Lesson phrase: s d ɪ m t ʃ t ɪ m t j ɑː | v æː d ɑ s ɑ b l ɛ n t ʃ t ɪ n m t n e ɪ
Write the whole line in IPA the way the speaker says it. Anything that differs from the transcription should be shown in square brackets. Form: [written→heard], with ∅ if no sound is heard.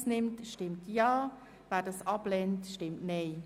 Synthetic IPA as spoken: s [d→n] ɪ m t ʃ t ɪ m t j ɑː | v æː d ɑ s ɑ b l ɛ n t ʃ t ɪ [n→∅] m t n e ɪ

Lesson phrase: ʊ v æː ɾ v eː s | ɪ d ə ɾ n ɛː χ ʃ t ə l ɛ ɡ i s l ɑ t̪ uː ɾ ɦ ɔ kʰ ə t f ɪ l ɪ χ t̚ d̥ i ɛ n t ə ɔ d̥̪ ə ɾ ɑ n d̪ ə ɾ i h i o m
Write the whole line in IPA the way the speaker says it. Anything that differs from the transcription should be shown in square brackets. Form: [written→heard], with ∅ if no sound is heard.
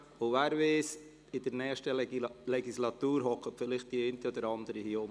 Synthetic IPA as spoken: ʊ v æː ɾ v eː s | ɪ d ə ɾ n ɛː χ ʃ t ə l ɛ ɡ i s l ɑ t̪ uː ɾ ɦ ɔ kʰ ə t f ɪ l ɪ χ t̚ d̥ i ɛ n t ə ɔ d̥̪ ə ɾ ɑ n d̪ ə ɾ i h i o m

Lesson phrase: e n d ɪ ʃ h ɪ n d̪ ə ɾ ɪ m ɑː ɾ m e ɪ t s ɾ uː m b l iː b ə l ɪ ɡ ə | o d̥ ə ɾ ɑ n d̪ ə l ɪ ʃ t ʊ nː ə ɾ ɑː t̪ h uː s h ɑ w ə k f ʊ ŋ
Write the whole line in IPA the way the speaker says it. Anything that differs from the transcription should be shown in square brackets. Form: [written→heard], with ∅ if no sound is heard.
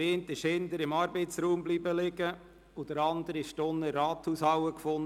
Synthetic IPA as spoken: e n [d→t] ɪ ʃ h ɪ n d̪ ə ɾ ɪ m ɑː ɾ [m→b] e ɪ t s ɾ uː m b l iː b ə l ɪ ɡ ə | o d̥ ə ɾ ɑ n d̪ ə [l→ɾ] ɪ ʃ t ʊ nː ə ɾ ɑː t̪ h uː s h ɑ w ə k f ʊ [ŋ→n]

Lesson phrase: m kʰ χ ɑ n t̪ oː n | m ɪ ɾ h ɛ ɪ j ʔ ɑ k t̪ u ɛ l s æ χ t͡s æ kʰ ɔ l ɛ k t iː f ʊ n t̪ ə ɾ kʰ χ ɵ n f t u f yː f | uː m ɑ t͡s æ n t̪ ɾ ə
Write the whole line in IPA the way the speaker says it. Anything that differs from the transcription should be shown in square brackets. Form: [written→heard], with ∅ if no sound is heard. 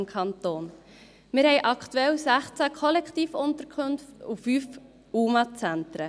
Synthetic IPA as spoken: m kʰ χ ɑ n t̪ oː n | m ɪ ɾ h ɛ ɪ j ʔ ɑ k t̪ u ɛ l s æ χ t͡s æ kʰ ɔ l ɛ k t iː f ʊ n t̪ ə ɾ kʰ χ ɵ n f t u f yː f | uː m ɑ t͡s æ n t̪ ɾ ə

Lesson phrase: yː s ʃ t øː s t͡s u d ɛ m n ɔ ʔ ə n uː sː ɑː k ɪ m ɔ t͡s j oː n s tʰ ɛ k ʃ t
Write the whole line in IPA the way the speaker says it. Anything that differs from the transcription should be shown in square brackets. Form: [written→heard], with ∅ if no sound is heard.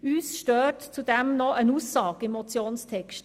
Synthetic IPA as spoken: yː s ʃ t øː [s→t] t͡s u d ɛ m n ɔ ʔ ə n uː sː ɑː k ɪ m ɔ t͡s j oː n s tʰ ɛ k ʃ t

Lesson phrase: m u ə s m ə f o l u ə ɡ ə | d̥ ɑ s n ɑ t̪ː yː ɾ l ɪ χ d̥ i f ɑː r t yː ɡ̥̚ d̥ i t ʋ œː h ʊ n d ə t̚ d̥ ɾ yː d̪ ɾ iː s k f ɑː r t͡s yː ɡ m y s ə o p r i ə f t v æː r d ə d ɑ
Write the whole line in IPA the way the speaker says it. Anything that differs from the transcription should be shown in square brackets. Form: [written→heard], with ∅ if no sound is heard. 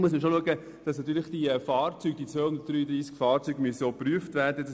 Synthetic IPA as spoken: m u ə s m ə [f→ʃ] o l u ə ɡ ə | d̥ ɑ s n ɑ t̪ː yː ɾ l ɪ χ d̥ i f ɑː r [t→t͡s] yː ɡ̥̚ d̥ i [t→t͡s] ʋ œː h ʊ n d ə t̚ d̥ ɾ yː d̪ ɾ iː s k f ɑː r t͡s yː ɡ m y s ə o p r [i→y] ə f t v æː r d ə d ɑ

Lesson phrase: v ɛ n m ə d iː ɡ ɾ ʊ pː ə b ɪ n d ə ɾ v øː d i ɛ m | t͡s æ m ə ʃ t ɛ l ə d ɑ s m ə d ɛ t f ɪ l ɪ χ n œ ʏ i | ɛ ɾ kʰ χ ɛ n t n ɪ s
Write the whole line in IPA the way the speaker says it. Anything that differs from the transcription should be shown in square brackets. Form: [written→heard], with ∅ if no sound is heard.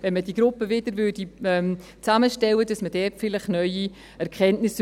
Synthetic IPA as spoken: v ɛ n m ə d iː ɡ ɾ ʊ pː ə [b→v] ɪ [n→∅] d ə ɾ v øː d i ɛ m | t͡s [æ→a] m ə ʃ t ɛ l ə d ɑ s m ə d ɛ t f ɪ l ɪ χ n œ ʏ i | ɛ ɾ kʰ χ ɛ n t n ɪ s

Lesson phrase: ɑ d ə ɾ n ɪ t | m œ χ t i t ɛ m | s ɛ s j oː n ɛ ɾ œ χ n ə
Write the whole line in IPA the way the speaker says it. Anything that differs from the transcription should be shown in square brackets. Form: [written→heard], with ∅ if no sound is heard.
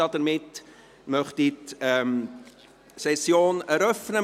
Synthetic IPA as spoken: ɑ d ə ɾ [n→m] ɪ t | m œ χ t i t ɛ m | s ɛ s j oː n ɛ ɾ œ [χ→f] n ə

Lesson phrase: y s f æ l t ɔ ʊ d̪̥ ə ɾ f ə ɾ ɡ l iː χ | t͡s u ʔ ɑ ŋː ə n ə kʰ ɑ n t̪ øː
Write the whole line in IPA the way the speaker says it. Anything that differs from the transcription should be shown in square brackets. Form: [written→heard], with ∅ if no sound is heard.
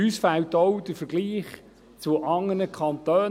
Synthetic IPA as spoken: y s f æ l t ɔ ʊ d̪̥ ə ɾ f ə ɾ ɡ l iː χ | t͡s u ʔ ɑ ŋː ə n ə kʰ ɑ n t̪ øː

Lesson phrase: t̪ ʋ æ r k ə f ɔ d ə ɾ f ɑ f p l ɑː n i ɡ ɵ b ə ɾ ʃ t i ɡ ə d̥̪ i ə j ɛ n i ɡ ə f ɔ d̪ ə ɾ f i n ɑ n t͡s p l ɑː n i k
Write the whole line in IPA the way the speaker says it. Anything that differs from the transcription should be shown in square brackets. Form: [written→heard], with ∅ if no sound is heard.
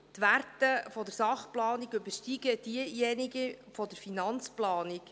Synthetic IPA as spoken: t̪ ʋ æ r [k→t] ə f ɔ d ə ɾ [f→s] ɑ [f→χ] p l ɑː n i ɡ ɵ b ə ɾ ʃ t i ɡ ə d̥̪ i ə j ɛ n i ɡ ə f ɔ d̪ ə ɾ f i n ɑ n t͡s p l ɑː n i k

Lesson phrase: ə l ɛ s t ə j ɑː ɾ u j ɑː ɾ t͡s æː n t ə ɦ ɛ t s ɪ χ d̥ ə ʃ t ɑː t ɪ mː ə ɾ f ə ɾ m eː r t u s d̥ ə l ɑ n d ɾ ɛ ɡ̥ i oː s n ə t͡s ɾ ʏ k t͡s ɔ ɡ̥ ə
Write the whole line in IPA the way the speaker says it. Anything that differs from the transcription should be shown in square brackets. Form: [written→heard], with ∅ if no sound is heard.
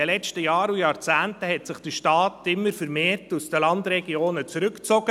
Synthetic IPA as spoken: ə l ɛ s t ə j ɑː ɾ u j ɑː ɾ t͡s æː n t ə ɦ ɛ t s ɪ χ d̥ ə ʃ t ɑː t ɪ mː ə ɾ f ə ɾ m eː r t u s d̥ ə l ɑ n d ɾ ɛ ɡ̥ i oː [s→∅] n ə t͡s ɾ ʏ k t͡s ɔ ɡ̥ ə

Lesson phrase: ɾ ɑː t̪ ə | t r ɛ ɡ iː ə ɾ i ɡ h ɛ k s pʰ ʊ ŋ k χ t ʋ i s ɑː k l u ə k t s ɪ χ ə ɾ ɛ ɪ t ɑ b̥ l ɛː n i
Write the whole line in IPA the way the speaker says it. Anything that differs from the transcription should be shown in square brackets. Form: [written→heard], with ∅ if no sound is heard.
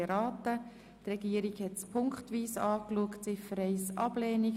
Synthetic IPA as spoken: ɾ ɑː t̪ ə | t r ɛ ɡ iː ə ɾ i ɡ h ɛ [k→t] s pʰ ʊ ŋ k χ t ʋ [i→iː] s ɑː k l u ə k t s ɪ [χ→f] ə ɾ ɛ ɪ [t→s] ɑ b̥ l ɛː n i

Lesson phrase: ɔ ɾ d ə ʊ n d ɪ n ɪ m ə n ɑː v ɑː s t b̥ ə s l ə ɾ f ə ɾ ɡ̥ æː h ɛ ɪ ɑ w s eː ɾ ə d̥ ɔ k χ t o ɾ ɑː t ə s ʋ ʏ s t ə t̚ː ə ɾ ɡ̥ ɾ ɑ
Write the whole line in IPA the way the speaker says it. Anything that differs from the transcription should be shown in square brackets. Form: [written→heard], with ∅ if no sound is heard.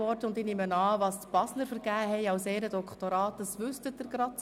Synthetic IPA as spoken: ɔ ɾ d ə ʊ n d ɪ n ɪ m ə n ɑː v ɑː s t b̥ [ə→ɑ] s l ə ɾ f ə ɾ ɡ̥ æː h ɛ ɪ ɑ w s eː ɾ ə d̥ ɔ k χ t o ɾ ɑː t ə s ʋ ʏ s t ə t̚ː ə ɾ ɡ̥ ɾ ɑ

